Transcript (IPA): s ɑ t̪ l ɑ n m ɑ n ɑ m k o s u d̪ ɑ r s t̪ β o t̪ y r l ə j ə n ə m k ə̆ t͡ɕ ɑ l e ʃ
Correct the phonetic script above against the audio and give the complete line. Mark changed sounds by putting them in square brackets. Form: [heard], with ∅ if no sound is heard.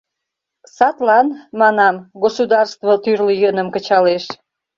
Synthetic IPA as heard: s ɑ t̪ l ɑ n m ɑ n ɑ m [ɡ] o s u d̪ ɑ r s t̪ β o t̪ y r l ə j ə n ə m k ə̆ t͡ɕ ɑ l e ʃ